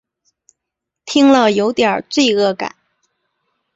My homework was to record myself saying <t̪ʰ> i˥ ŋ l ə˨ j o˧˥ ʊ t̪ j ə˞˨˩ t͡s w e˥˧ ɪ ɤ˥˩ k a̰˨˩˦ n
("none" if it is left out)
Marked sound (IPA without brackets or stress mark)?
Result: t̪ʰ